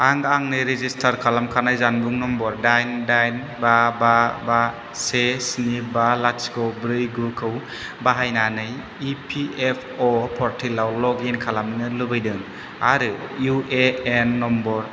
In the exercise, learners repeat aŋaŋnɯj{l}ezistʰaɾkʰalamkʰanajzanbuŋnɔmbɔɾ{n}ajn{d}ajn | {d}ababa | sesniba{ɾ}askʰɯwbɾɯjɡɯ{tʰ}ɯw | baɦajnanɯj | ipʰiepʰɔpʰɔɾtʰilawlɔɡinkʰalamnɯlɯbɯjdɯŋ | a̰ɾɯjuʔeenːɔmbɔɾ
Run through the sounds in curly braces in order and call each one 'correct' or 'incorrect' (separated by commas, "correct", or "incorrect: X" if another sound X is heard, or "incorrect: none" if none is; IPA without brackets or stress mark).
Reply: incorrect: ɾ, incorrect: d, correct, incorrect: b, incorrect: l, incorrect: kʰ